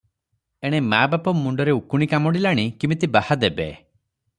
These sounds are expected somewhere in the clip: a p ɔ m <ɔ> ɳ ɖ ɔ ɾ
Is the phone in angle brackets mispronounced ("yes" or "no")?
yes